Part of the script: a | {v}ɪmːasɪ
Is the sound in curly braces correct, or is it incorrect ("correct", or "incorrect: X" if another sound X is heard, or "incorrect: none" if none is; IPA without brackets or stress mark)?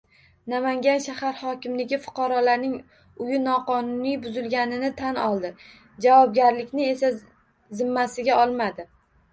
incorrect: z